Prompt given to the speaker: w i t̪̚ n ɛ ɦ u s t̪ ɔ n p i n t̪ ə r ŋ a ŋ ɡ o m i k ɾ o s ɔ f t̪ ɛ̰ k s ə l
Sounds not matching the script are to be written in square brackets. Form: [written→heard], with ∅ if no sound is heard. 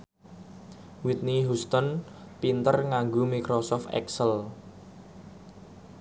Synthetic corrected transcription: w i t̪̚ n [ɛ→i] ɦ u s t̪ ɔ n p i n t̪ ə r ŋ a ŋ ɡ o m i k ɾ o s ɔ f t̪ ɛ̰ k s ə l